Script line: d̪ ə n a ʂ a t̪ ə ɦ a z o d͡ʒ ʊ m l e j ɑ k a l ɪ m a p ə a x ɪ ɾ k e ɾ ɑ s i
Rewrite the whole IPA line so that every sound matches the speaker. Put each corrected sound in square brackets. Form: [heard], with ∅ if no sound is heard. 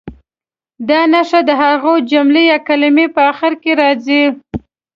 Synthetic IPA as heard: d̪ [ɑ] n a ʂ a [d̪] ə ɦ a [ɣ] o d͡ʒ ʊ m l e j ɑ k a l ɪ m [e] p ə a x ɪ ɾ k e ɾ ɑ [z] i